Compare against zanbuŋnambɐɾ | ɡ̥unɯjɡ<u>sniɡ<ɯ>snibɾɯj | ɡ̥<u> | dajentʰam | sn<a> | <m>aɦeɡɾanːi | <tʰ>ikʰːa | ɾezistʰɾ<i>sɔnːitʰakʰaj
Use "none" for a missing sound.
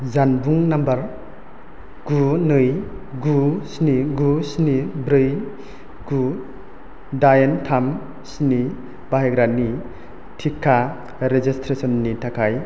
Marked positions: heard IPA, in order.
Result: u, u, u, i, b, tʰ, e

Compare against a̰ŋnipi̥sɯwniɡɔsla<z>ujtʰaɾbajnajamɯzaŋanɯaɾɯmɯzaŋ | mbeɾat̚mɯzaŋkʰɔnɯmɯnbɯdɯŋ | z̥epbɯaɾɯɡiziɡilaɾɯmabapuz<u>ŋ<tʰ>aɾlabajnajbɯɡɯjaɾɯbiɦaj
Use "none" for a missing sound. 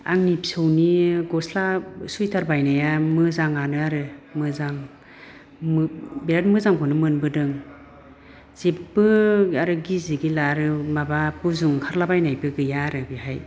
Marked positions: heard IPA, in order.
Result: s, u, kʰ

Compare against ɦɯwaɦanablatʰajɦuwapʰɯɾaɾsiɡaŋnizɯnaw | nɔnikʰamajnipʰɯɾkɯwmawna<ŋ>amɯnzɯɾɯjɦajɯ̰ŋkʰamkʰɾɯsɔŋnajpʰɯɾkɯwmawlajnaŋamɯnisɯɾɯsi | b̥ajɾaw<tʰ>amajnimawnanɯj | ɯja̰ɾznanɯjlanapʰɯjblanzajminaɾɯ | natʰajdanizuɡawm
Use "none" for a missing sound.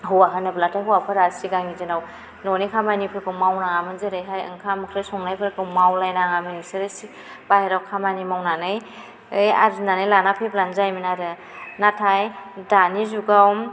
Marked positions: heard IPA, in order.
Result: ŋ, kʰ

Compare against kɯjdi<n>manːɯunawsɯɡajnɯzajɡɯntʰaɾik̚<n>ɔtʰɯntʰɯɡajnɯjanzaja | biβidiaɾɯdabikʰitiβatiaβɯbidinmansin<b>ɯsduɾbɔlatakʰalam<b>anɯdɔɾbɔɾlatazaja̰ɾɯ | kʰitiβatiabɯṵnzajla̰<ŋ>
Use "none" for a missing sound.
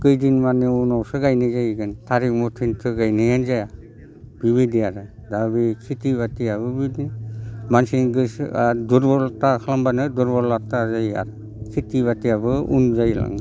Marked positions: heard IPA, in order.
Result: n, m, ɡ, b, ŋ

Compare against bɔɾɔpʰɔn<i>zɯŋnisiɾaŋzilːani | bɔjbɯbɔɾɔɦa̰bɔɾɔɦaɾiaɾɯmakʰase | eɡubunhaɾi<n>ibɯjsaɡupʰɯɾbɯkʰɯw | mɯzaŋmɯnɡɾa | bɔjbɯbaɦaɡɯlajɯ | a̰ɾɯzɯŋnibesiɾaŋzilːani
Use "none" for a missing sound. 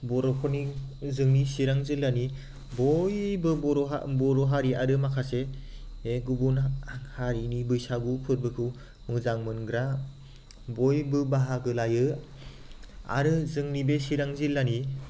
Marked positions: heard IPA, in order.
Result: i, n

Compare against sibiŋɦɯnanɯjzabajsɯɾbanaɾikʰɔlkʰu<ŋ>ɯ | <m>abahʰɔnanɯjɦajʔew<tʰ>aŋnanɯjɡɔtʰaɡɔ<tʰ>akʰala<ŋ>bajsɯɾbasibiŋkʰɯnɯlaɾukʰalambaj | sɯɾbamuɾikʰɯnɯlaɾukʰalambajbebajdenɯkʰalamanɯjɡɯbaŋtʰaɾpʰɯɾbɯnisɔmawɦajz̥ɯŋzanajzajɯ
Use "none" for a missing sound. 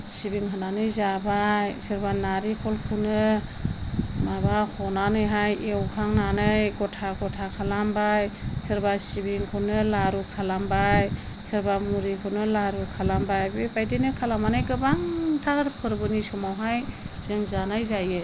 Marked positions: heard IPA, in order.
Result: n, m, kʰ, tʰ, m

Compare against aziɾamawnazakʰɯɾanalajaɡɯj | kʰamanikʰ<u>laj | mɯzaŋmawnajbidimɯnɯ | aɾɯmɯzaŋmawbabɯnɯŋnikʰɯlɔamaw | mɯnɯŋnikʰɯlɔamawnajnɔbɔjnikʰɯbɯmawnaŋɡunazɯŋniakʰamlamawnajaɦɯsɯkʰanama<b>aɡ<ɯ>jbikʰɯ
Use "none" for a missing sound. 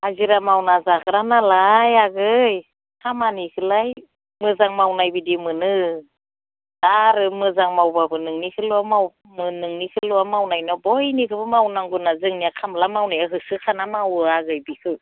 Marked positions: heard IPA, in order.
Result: ɯ, w, ɯ

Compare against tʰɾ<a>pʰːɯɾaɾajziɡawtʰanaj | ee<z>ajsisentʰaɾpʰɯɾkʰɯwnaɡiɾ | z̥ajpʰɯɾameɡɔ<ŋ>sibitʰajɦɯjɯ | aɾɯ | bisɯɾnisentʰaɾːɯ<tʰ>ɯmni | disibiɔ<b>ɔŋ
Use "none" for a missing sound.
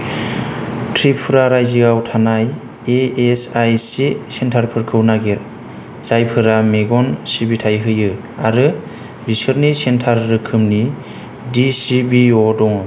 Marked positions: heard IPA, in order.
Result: i, s, n, kʰ, d

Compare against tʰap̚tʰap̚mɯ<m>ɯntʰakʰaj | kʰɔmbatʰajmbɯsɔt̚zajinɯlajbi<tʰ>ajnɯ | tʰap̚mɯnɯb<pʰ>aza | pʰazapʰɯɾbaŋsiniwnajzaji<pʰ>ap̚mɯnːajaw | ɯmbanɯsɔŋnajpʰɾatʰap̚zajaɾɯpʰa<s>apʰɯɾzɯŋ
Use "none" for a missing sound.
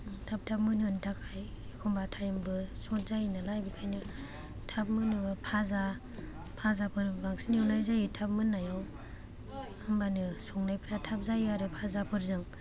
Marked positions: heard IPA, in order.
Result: n, kʰ, pʰ, tʰ, z

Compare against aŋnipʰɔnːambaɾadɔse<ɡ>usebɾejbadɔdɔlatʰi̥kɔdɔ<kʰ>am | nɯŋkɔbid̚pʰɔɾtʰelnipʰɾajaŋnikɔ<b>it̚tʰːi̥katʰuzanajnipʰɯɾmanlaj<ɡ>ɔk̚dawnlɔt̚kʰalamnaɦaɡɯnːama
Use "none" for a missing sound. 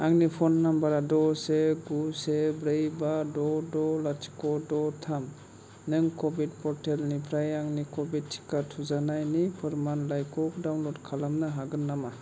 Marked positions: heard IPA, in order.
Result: ɡ, tʰ, b, k

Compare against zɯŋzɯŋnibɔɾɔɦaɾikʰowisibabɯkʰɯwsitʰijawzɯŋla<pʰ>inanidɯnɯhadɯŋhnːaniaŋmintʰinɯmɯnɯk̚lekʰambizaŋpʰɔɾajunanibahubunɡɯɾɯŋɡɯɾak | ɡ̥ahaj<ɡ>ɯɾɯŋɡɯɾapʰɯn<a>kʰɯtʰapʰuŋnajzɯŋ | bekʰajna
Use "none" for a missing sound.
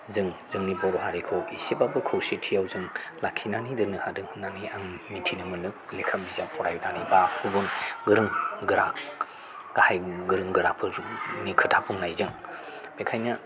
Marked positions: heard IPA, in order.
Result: kʰ, ɡ, i

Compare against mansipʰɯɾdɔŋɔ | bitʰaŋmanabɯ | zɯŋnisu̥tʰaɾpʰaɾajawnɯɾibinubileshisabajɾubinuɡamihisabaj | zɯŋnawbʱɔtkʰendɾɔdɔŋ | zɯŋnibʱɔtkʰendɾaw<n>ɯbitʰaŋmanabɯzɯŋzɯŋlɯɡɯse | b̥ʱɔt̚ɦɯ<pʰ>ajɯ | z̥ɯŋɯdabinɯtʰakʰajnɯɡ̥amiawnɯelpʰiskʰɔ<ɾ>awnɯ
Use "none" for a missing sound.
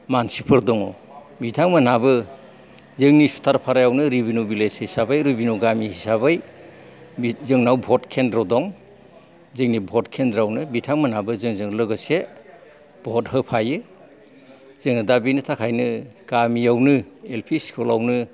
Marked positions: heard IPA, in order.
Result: n, pʰ, l

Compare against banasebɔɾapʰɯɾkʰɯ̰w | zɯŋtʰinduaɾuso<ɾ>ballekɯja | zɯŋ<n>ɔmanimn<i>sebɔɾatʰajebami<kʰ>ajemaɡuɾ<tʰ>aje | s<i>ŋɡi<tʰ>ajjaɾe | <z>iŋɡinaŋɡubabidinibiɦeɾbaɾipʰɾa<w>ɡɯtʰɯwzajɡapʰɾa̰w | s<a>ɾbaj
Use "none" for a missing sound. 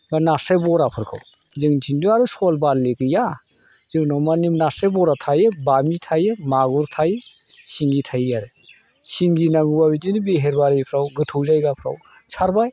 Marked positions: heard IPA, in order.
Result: l, n, a, tʰ, tʰ, i, tʰ, s, w, a

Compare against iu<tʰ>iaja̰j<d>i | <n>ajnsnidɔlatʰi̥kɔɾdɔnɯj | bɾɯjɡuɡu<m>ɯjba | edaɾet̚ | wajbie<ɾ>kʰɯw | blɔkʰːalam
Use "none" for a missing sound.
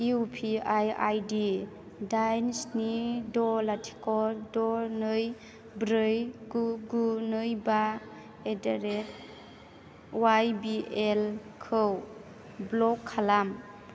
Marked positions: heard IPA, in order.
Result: pʰ, d, d, n, l

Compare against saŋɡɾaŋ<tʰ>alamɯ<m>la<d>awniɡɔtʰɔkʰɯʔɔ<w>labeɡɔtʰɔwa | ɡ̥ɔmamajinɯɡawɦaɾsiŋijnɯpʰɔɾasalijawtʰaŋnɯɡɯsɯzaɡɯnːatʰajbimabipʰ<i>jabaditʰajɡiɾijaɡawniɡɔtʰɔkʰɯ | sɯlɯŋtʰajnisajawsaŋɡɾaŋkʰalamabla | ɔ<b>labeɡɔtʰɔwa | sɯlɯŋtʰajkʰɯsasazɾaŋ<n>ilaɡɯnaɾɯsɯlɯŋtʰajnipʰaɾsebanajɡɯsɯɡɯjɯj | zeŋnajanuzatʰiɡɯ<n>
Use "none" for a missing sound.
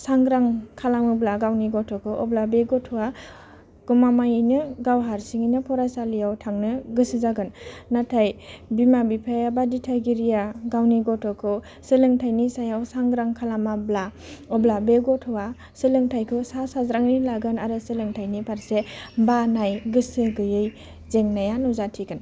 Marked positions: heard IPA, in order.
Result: kʰ, b, ɡ, b, a, b, n, n

